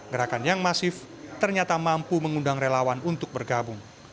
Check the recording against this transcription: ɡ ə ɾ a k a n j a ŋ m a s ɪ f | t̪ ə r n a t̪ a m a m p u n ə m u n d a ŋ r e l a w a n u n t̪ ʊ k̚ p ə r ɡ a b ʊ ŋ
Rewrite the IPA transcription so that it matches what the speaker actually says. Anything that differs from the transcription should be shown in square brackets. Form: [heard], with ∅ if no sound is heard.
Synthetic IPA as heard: ɡ ə ɾ a k a n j a ŋ m a s ɪ f | t̪ ə r [ɲ] a t̪ a m a m p u [m] ə [ŋ] u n d a ŋ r e l a w a n u n t̪ ʊ k̚ [b] ə r ɡ a b ʊ ŋ

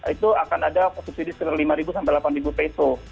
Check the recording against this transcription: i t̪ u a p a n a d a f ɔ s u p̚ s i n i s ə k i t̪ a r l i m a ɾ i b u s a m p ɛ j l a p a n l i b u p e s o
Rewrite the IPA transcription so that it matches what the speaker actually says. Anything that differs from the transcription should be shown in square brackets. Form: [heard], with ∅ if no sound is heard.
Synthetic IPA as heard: i t̪ u a [k] a n a d a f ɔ s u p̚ s i [d] i s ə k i t̪ a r l i m a ɾ i b u s a m p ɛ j l a p a n [r] i b u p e s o

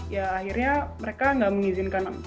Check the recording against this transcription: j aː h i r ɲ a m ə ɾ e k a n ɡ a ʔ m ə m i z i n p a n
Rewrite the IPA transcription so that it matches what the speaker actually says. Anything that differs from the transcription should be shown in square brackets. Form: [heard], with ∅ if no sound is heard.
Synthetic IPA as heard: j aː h i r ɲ a m ə ɾ e k a [ŋ] ɡ a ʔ m ə [ŋ] i z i n [k] a n

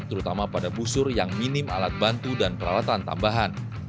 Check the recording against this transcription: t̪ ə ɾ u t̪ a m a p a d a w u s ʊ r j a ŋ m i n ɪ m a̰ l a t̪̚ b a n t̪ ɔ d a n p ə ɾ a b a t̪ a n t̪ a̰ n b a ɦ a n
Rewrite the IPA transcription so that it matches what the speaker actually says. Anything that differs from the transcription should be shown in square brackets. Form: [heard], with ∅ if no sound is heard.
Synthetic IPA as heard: t̪ ə ɾ u t̪ a m a p a d a [b] u s ʊ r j a ŋ m i n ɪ m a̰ l a t̪̚ b a n t̪ [u] d a n p ə ɾ a [w] a t̪ a n t̪ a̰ [m] b a ɦ a n

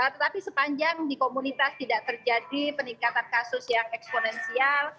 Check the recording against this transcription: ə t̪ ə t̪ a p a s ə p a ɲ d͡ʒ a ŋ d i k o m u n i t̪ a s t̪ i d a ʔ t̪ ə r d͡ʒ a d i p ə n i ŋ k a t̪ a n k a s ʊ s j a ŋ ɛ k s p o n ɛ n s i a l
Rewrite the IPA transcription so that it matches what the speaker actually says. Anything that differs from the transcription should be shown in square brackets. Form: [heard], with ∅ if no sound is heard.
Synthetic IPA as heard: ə t̪ ə t̪ a p [i] s ə p a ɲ d͡ʒ a ŋ d i k o m u n i t̪ a s t̪ i d a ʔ t̪ ə r d͡ʒ a d i p ə n i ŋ k a t̪ a n k a s ʊ s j a ŋ ɛ k s p o n ɛ n s i a l

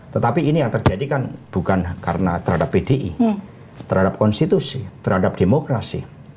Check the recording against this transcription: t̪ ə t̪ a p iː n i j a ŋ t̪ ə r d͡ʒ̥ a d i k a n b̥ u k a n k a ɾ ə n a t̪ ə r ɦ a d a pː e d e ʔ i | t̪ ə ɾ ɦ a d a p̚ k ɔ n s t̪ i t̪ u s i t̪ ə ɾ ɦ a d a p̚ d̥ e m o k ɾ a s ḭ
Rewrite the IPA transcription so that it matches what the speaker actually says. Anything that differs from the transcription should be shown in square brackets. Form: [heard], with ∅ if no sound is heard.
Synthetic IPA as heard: t̪ ə t̪ a p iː n i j a ŋ t̪ ə r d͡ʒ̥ a d i k a n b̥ u k a n k a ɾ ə n a t̪ ə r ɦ a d a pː e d e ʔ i | t̪ ə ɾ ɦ a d a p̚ k ɔ n s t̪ i t̪ u s i t̪ ə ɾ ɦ a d a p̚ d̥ e m o k ɾ a s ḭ

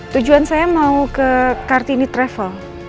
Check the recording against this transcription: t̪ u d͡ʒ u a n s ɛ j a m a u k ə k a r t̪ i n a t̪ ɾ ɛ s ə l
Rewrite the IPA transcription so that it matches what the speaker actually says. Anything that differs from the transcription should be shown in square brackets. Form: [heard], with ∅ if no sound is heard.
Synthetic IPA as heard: t̪ u d͡ʒ u a n s [a] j a m a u k ə k a r t̪ i n [i] t̪ ɾ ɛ [f] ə l

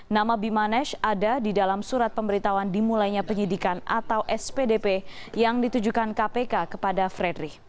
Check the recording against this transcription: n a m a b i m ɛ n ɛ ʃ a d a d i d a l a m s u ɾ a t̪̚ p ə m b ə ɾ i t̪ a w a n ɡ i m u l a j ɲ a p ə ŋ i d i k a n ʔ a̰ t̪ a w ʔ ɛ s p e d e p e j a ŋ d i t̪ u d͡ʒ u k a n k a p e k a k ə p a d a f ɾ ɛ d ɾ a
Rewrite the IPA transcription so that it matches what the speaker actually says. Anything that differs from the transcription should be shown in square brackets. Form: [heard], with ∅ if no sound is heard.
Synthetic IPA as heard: n a m a b i m [a] n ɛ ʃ a d a d i d a l a m s u ɾ a t̪̚ p ə m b ə ɾ i t̪ a w a n [d] i m u l a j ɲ a p ə [ɲ] i d i k a n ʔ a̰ t̪ a w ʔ ɛ s p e d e p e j a ŋ d i t̪ u d͡ʒ u k a n k a p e k a k ə p a d a f ɾ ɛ d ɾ [i]

